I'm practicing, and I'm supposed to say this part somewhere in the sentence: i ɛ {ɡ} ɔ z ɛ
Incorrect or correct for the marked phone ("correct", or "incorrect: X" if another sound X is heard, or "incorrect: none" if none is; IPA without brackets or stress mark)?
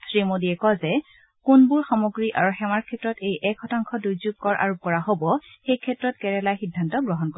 incorrect: k